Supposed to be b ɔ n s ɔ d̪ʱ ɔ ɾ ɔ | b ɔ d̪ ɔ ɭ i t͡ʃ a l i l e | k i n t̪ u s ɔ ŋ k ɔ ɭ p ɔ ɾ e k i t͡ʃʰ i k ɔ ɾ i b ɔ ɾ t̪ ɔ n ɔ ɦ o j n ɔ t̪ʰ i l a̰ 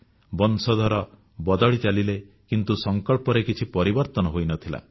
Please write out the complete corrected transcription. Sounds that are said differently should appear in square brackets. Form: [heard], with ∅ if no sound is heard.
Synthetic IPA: b ɔ n s ɔ d̪ʱ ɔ ɾ ɔ | b ɔ d̪ ɔ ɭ i t͡ʃ a l i l e | k i n t̪ u s ɔ ŋ k ɔ ɭ p ɔ ɾ e k i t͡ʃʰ i [p] ɔ ɾ i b ɔ ɾ t̪ ɔ n ɔ ɦ o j n ɔ t̪ʰ i l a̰